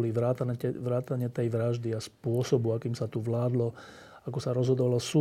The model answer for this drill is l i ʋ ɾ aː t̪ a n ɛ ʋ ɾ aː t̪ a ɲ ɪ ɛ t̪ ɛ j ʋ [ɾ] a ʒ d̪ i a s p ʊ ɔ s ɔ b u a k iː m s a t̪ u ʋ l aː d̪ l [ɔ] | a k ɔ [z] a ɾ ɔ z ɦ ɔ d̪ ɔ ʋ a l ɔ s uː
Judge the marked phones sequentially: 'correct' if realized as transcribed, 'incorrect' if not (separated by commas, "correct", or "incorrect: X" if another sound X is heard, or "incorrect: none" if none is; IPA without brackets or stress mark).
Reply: correct, correct, incorrect: s